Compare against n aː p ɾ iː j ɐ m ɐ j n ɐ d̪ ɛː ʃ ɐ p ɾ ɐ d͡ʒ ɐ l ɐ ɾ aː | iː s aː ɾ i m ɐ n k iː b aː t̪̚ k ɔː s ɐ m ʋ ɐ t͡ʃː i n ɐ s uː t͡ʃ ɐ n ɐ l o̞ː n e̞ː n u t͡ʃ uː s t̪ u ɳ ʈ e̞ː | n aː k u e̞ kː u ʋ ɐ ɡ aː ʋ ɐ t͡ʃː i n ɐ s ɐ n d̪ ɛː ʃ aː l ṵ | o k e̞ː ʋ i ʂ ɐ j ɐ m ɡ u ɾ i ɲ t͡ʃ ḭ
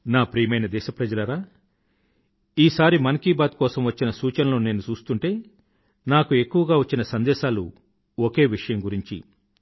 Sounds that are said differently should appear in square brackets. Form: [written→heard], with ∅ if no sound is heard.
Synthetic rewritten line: n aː p ɾ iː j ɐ m ɐ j n ɐ d̪ ɛː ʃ ɐ p ɾ ɐ d͡ʒ ɐ l ɐ ɾ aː | iː s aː ɾ i m ɐ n k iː b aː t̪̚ k ɔː s ɐ m ʋ ɐ t͡ʃː i n ɐ s uː t͡ʃ ɐ n ɐ l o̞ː n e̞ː n u t͡ʃ uː s t̪ u ɳ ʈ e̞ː | n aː k u e̞ kː u ʋ ɐ ɡ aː ʋ ɐ t͡ʃː i n ɐ s ɐ n d̪ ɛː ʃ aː l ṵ | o k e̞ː ʋ i ʂ ɐ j ɐ m ɡ u ɾ i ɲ t͡ʃ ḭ